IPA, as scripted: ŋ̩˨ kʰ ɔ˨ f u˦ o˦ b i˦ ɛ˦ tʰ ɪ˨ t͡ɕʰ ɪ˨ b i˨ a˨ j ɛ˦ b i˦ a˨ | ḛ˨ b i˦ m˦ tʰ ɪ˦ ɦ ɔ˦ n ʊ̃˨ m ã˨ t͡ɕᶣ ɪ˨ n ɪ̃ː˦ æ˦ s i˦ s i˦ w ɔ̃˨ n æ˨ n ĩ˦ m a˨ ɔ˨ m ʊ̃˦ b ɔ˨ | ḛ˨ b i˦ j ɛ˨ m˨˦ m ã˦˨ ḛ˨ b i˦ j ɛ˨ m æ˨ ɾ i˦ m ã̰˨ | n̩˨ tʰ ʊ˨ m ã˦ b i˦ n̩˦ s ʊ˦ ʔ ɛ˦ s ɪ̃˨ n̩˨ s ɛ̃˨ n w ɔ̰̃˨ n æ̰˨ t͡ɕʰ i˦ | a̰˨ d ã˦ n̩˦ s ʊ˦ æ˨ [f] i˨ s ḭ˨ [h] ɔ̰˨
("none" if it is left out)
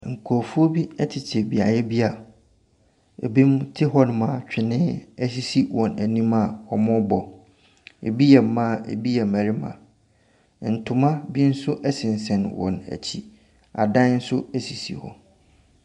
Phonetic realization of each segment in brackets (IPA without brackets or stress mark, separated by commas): s, h